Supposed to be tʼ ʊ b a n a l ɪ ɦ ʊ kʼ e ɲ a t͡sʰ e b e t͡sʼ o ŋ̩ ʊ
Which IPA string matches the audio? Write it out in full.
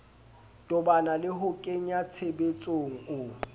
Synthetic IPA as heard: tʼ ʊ b a n a l ɪ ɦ ʊ kʼ e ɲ a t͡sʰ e b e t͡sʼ o ŋ̩ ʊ